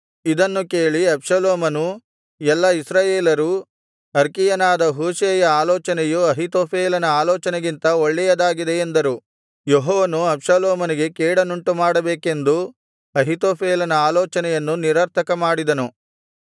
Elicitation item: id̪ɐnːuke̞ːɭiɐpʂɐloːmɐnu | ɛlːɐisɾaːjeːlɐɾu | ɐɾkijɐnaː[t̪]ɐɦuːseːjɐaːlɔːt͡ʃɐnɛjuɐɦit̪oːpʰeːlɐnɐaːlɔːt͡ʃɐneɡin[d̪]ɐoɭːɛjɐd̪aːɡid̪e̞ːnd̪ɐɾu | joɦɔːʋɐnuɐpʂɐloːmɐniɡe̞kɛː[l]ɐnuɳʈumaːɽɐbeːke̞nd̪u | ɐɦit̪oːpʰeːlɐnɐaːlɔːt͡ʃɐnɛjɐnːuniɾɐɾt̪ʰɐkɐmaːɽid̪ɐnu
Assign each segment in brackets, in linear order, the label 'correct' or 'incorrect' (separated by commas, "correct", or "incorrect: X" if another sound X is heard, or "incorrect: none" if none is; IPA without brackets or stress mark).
incorrect: d̪, incorrect: t̪, incorrect: ɽ